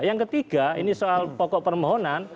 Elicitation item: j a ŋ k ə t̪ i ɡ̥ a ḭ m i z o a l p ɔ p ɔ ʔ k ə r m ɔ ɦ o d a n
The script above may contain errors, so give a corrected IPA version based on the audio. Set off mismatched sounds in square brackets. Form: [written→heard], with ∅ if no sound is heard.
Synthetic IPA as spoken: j a ŋ k ə t̪ i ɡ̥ a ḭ [m→n] i [z→s] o a l p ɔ [p→k] ɔ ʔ [k→p] ə r m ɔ ɦ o [d→n] a n